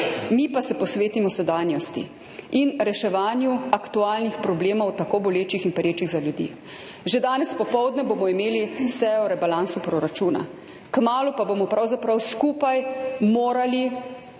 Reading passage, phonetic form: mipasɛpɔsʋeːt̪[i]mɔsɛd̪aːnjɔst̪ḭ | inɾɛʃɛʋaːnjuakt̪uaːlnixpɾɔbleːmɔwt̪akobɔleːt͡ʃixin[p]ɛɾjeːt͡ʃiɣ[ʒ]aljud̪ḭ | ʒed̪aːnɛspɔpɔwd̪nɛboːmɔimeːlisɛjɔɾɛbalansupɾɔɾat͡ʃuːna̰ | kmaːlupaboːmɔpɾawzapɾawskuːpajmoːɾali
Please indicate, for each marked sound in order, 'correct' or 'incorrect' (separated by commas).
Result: correct, correct, incorrect